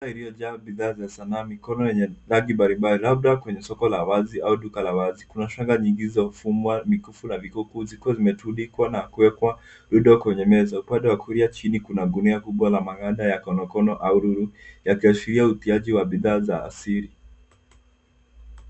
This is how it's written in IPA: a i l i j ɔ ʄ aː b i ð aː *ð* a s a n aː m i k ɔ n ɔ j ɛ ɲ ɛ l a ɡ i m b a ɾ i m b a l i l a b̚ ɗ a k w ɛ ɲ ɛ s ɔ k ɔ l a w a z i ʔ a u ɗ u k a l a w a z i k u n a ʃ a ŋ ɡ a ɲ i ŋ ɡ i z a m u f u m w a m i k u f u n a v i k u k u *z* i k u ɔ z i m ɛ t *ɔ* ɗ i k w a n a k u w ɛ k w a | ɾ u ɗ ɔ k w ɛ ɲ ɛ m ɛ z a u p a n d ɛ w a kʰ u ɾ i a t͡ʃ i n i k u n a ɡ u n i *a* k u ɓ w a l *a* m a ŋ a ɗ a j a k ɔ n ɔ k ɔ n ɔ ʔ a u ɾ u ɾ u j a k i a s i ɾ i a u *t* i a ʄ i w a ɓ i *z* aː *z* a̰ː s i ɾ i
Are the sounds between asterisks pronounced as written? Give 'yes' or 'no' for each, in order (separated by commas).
no, yes, no, yes, yes, yes, no, yes